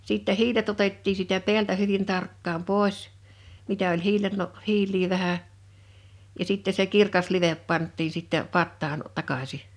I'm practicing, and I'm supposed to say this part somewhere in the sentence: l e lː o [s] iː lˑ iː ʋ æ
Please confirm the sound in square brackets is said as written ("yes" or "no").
no